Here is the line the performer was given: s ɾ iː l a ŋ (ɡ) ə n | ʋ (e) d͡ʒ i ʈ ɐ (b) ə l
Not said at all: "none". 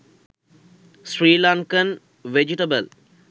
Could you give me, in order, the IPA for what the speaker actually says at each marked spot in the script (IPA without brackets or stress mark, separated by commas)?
k, e, b